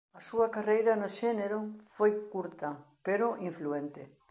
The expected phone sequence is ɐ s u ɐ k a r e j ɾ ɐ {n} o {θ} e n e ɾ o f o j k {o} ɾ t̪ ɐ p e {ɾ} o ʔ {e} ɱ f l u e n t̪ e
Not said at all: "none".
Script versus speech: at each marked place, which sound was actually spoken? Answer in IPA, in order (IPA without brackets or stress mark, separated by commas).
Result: n, ʃ, u, ɾ, i